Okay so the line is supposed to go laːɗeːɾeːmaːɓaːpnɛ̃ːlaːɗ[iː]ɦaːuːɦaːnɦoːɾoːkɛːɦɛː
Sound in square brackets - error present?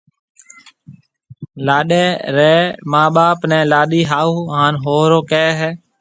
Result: no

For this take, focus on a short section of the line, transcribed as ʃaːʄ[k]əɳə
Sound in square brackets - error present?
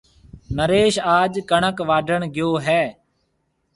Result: no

